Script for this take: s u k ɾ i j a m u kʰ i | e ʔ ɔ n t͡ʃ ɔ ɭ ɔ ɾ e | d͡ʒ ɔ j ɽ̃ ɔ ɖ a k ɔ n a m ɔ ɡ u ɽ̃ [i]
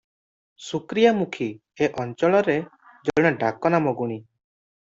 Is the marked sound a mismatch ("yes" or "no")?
no